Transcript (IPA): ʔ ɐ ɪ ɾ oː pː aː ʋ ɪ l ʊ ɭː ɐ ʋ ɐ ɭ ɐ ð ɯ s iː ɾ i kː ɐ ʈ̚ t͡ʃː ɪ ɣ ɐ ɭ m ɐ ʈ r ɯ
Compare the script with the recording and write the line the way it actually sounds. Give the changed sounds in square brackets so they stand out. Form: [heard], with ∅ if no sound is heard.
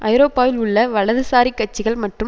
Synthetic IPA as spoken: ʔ ɐ ɪ ɾ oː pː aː ʋ ɪ l ʊ ɭː ɐ ʋ ɐ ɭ ɐ ð ɯ s [aː] ɾ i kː ɐ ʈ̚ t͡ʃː ɪ ɣ ɐ ɭ m ɐ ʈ r ɯ